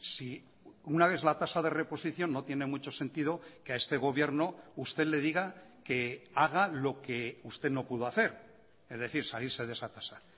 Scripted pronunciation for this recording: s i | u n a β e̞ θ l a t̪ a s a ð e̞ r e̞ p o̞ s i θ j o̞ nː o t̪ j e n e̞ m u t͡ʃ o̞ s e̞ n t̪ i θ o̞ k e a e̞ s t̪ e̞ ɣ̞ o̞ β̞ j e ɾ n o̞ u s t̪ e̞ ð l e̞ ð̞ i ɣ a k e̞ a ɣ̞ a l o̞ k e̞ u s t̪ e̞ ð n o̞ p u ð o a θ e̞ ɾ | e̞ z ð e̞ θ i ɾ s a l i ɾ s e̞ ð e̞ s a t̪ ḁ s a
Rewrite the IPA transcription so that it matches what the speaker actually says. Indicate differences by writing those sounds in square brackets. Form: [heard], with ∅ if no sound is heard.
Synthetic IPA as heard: s i | u n a β e̞ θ l a t̪ a s a ð e̞ r e̞ p o̞ s i θ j o̞ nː o t̪ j e n e̞ m u t͡ʃ o̞ s e̞ n t̪ i [ð] o̞ k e a e̞ s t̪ e̞ ɣ̞ o̞ β̞ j e ɾ n o̞ u s t̪ e̞ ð l e̞ ð̞ i ɣ a k e̞ a ɣ̞ a l o̞ k e̞ u s t̪ e̞ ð n o̞ p u ð o a θ e̞ ɾ | e̞ z ð e̞ θ i ɾ s a l i ɾ s e̞ ð e̞ s a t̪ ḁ s a